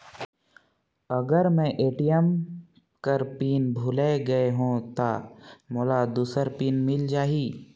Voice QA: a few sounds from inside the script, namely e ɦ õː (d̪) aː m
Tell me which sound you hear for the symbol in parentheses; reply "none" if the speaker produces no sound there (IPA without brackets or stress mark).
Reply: t̪